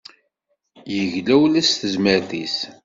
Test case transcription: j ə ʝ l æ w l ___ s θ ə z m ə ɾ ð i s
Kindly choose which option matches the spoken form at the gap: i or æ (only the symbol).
æ